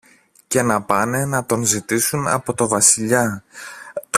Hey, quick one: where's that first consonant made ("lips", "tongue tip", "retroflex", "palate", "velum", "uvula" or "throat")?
palate